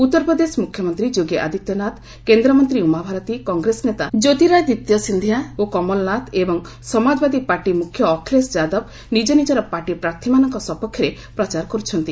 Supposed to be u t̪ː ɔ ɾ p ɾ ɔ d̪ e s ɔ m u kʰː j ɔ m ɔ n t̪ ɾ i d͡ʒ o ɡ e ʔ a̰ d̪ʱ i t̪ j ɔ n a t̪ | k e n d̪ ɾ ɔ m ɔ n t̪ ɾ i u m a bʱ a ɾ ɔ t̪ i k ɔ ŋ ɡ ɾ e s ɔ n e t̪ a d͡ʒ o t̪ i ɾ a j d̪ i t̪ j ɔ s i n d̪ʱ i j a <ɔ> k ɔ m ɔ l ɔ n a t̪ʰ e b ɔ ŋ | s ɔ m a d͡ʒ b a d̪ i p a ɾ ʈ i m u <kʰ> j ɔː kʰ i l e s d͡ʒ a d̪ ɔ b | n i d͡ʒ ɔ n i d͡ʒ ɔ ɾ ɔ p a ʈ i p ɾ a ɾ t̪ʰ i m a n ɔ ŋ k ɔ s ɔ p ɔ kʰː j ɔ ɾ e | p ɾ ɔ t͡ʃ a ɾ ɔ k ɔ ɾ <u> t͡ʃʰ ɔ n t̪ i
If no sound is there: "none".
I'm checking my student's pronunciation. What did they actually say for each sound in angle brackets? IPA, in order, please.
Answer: o, kʰ, u

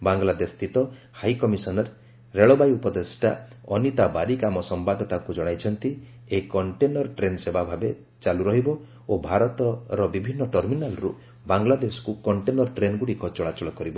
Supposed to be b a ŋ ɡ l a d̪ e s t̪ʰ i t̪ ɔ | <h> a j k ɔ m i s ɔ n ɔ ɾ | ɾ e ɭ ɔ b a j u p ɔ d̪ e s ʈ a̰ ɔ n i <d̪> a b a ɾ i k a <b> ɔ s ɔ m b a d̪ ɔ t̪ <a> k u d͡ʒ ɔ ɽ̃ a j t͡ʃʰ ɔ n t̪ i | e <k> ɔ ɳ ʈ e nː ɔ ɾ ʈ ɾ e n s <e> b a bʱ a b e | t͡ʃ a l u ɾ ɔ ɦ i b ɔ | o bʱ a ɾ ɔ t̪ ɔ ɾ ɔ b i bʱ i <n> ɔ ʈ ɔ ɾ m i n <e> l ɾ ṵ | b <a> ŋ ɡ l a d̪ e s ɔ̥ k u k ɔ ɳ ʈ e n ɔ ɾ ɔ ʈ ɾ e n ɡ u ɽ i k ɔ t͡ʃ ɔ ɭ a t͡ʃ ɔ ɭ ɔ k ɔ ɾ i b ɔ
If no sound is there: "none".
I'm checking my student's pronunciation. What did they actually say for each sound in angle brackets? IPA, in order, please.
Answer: h, t̪, m, a, k, e, nː, a, a

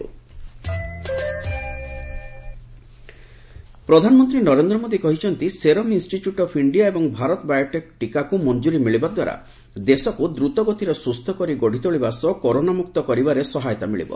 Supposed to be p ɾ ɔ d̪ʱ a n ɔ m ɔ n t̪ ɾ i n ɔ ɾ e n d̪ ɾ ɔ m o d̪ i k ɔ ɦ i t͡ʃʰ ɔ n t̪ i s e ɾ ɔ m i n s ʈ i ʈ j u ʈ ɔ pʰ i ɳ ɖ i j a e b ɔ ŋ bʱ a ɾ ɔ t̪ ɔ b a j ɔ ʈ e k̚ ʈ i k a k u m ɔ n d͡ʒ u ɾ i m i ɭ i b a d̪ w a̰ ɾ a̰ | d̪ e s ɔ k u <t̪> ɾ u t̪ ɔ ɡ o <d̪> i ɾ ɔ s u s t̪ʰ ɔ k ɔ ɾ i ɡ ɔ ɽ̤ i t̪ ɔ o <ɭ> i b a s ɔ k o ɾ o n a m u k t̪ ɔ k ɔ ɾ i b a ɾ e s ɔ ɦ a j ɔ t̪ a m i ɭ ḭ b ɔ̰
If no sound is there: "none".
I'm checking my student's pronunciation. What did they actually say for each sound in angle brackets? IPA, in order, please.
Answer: d̪, t̪, ɭ

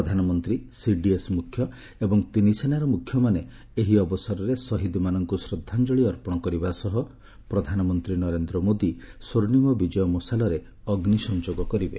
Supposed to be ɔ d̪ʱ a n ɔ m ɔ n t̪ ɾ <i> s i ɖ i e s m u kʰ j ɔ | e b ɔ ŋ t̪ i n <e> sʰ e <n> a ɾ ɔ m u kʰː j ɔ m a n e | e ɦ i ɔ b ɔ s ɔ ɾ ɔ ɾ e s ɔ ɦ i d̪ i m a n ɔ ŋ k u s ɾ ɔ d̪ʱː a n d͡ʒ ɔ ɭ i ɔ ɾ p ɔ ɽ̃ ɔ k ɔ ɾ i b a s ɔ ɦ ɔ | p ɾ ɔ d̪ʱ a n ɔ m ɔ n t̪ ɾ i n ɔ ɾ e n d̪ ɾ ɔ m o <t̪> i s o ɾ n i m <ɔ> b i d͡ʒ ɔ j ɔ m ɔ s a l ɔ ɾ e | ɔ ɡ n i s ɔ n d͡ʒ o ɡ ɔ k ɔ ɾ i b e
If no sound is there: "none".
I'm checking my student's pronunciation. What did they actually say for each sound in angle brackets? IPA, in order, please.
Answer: i, i, n, d̪, ɔ

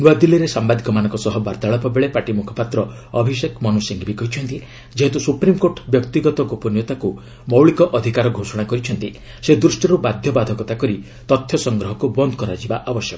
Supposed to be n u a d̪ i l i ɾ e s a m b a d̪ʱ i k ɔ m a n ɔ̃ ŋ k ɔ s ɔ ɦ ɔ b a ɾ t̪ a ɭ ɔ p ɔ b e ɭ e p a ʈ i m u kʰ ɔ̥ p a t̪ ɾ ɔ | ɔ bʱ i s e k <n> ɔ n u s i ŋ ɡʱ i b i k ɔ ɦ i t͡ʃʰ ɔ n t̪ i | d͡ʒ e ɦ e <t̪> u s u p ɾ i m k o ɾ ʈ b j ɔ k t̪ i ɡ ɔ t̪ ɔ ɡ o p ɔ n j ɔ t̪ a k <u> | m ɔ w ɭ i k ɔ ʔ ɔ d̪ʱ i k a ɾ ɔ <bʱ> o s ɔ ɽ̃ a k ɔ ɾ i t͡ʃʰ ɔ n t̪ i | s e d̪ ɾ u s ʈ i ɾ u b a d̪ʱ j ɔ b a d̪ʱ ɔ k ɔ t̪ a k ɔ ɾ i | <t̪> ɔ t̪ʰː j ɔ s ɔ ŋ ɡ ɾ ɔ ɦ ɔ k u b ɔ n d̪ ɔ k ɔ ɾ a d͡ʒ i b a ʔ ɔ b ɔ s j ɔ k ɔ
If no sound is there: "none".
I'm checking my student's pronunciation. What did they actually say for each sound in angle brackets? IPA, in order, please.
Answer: m, t̪, u, ɡʱ, t̪

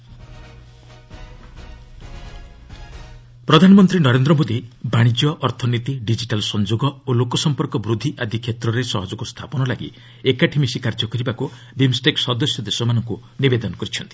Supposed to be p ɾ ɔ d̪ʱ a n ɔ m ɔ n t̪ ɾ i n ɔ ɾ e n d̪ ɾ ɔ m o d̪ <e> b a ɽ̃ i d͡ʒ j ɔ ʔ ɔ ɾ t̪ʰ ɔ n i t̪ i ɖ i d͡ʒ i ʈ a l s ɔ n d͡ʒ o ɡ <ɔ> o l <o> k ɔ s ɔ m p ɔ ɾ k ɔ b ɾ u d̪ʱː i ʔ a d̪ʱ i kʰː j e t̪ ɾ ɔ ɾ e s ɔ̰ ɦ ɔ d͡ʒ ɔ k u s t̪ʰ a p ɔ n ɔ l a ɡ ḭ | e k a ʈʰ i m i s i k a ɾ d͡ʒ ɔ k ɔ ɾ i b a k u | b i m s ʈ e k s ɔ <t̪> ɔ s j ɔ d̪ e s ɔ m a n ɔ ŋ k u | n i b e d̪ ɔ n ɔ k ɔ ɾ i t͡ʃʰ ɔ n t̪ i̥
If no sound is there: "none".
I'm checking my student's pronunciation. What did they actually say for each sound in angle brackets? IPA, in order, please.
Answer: i, ɔ, o, d̪

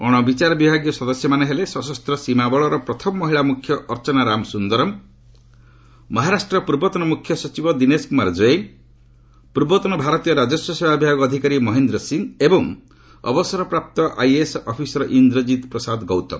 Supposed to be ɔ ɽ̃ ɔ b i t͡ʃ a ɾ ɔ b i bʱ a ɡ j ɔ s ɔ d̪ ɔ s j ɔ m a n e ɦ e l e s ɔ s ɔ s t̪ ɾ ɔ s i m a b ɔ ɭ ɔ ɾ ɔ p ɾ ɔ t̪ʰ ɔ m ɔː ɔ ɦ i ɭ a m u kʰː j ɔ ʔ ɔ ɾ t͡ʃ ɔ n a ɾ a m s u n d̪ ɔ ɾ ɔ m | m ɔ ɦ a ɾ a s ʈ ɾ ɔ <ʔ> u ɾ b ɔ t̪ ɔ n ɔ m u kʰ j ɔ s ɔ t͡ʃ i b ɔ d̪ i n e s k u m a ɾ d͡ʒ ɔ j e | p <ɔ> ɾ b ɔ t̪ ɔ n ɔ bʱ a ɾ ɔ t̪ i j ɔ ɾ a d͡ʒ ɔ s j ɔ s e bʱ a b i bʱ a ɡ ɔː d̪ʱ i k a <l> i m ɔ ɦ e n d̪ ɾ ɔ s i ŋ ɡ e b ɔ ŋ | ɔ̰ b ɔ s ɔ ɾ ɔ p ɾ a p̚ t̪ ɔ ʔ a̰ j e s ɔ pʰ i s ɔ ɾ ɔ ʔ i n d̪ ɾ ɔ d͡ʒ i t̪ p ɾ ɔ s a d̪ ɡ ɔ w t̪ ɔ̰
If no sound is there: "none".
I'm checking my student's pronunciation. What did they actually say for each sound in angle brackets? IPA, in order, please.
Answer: p, u, ɾ

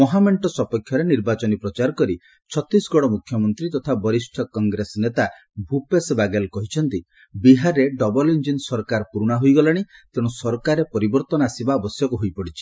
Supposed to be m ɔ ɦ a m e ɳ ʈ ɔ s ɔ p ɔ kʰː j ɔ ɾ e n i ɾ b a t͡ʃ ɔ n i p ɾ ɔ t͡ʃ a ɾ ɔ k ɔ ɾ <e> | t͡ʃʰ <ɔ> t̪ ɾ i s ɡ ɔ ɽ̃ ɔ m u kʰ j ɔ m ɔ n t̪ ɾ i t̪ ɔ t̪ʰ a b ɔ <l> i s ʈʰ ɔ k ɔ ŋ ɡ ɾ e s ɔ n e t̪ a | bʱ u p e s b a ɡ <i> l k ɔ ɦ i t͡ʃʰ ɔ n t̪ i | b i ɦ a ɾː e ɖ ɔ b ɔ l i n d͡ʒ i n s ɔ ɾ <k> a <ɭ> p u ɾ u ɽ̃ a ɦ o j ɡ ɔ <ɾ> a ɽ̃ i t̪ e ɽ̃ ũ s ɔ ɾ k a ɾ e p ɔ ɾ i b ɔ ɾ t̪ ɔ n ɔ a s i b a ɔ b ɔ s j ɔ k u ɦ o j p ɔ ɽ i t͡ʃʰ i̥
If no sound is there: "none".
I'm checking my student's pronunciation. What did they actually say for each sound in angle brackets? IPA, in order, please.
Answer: i, ɔ, ɾ, e, k, ɾ, l

